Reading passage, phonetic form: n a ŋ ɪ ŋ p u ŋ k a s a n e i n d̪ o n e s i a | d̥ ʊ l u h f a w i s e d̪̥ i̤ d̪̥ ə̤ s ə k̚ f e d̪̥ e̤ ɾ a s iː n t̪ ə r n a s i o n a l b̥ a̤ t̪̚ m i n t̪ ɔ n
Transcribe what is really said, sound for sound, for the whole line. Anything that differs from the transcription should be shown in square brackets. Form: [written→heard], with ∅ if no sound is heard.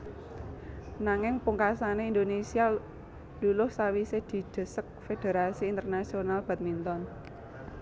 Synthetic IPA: n a ŋ ɪ ŋ p u ŋ k a s a n e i n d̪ o n e s i a | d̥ [ʊ→u] l [u→ʊ] h [f→s] a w i s e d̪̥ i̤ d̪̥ ə̤ s ə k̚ f e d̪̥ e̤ ɾ a s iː n t̪ ə r n a s i o n a l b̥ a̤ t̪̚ m i n t̪ ɔ n